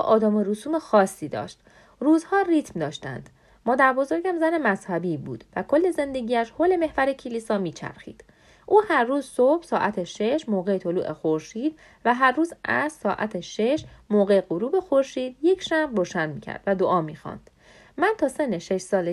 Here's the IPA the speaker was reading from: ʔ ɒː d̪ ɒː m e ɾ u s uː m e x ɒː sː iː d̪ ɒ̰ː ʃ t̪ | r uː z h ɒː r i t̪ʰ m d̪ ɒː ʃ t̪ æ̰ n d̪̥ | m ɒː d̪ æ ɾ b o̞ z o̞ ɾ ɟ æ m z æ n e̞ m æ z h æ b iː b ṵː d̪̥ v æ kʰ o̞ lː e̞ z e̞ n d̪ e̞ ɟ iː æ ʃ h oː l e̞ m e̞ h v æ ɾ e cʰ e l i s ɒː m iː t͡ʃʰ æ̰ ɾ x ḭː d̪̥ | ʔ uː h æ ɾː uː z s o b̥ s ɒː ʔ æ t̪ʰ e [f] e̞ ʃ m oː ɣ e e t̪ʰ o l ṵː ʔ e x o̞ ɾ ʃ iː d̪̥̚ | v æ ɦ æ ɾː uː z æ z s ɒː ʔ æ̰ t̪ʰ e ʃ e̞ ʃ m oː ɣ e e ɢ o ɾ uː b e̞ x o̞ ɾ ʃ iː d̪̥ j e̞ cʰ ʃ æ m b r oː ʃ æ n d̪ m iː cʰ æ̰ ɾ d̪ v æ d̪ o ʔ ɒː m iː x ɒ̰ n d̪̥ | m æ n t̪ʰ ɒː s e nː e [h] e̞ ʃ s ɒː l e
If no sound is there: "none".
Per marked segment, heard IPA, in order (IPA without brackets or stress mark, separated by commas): ʃ, ʃ